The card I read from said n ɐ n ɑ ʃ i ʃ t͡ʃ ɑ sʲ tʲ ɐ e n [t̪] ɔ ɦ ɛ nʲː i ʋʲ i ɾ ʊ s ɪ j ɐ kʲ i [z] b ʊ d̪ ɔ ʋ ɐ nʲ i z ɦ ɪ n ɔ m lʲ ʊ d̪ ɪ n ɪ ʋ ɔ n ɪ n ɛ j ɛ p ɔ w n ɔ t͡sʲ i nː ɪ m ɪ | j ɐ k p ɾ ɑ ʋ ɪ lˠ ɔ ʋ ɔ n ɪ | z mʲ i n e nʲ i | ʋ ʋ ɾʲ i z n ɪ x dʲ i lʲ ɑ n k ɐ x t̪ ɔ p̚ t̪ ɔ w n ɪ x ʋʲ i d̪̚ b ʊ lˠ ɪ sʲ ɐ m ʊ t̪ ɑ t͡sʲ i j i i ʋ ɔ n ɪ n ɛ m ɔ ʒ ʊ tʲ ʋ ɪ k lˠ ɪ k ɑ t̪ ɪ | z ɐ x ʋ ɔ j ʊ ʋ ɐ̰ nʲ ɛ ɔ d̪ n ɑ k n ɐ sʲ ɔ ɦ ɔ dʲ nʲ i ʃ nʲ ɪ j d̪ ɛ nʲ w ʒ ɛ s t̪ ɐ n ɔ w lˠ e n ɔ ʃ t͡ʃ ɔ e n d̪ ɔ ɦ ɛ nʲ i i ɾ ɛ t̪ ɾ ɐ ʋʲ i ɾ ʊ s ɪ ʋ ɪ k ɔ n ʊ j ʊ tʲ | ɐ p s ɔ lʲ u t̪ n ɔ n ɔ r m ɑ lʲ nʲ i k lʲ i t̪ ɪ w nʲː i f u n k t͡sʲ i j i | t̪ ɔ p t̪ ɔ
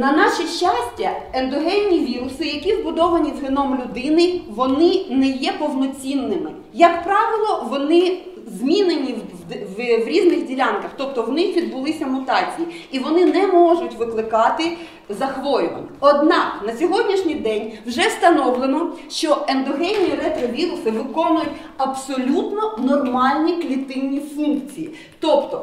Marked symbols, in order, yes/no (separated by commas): no, yes